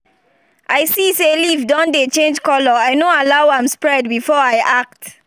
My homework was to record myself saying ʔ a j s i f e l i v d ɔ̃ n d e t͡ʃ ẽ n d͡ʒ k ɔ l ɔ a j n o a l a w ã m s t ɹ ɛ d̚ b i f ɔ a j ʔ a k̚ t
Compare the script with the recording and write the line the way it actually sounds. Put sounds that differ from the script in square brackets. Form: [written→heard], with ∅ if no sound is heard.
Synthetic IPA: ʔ a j s i [f→s] e l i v d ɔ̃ n d e t͡ʃ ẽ n d͡ʒ k ɔ l ɔ a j n o a l a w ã m s [t→p] ɹ ɛ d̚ b i f ɔ a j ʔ a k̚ t